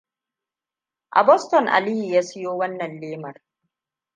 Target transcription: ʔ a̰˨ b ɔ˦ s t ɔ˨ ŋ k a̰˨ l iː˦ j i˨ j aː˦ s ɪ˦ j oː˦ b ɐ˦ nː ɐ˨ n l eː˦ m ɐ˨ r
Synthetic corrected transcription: ʔ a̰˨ b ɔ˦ s t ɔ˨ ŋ ʔ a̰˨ l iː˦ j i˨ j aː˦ s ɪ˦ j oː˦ w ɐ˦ nː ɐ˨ n l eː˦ m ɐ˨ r